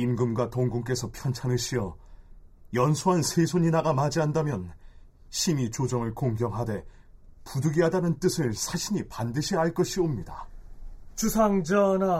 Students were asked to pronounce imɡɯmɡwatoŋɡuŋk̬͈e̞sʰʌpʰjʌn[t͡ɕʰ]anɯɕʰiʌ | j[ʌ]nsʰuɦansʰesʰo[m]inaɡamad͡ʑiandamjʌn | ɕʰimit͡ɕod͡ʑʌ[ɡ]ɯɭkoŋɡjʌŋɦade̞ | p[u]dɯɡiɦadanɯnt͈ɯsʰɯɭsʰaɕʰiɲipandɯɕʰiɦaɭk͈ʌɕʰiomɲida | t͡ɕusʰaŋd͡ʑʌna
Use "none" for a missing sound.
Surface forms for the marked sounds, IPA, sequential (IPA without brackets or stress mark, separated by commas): t͡ɕʰ, ʌ, ɲ, ŋ, u